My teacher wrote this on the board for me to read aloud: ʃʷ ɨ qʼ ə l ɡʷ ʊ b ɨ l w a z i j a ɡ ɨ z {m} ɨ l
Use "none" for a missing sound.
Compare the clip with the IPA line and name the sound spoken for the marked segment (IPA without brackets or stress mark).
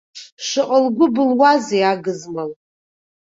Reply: m